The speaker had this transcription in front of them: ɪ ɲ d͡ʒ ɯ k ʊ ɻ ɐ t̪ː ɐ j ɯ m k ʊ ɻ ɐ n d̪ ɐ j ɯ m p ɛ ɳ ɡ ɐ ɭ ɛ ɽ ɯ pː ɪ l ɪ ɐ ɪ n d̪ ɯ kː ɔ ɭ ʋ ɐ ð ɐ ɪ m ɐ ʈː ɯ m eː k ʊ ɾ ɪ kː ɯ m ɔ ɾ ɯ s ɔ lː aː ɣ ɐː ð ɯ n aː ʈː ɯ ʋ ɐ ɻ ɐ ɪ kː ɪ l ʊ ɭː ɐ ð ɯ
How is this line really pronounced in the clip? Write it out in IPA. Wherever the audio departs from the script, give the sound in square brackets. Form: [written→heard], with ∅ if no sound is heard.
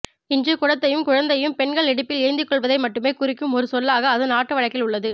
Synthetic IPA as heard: ɪ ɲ d͡ʒ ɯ k ʊ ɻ ɐ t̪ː ɐ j ɯ m k ʊ ɻ ɐ n d̪ ɐ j ɯ m p ɛ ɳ ɡ ɐ ɭ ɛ ɽ ɯ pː ɪ l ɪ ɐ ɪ n d̪ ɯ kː ɔ ɭ ʋ ɐ ð ɐ ɪ m ɐ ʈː ɯ m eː k ʊ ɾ ɪ kː ɯ m ɔ ɾ ɯ s ɔ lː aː ɣ ɐː ð ɯ n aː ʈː ɯ ʋ ɐ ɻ ɐ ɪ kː ɪ l ʊ ɭː ɐ ð ɯ

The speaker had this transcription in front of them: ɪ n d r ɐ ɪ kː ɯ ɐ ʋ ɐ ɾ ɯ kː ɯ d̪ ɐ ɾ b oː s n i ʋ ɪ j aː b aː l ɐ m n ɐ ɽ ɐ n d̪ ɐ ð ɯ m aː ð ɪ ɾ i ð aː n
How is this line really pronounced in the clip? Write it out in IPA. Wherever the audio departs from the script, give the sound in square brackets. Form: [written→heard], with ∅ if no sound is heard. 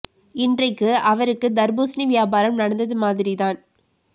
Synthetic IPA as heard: ɪ n d r ɐ ɪ kː ɯ ɐ ʋ ɐ ɾ ɯ kː ɯ d̪ ɐ ɾ b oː s n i ʋ ɪ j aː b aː [l→ɾ] ɐ m n ɐ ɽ ɐ n d̪ ɐ ð ɯ m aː ð ɪ ɾ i ð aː n

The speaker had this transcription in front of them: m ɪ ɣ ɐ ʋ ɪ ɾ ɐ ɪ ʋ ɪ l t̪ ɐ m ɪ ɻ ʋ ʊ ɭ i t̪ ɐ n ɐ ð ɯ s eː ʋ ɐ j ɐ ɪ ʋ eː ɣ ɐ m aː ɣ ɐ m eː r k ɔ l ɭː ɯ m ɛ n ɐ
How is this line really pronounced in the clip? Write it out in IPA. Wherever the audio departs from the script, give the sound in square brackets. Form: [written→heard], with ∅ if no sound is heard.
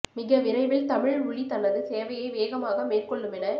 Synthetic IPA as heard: m ɪ ɣ ɐ ʋ ɪ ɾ ɐ ɪ ʋ ɪ l t̪ ɐ m ɪ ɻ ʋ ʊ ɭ i t̪ ɐ n ɐ ð ɯ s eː ʋ ɐ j ɐ ɪ ʋ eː ɣ ɐ m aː ɣ ɐ m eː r k ɔ [l→∅] ɭː ɯ m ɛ n ɐ

